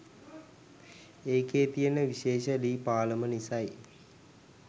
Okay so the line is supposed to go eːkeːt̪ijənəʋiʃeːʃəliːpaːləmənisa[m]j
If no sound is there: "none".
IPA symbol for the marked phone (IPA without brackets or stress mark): none